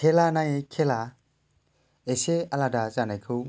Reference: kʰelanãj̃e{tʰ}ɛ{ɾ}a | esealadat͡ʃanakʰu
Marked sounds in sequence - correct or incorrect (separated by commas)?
incorrect, incorrect